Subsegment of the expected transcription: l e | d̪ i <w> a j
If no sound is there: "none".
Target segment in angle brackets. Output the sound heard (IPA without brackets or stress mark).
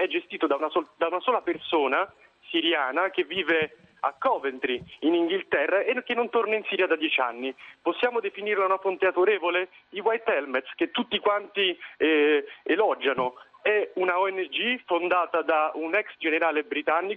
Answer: w